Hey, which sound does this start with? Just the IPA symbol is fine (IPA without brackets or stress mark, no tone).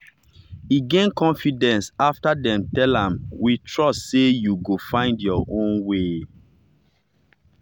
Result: i